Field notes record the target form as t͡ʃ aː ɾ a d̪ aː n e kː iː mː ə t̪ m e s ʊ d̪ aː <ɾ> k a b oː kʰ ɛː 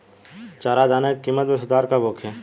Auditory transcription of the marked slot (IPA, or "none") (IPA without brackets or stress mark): ɾ